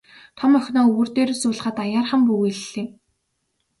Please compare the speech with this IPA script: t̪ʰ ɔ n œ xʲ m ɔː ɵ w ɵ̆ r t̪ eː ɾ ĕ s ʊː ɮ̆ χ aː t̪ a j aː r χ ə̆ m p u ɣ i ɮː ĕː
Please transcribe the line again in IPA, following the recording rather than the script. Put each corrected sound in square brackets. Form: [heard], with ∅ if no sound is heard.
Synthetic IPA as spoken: t̪ʰ ɔ [m] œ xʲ [n] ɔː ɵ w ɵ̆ r t̪ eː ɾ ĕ s ʊː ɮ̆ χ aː t̪ a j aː r χ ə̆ m p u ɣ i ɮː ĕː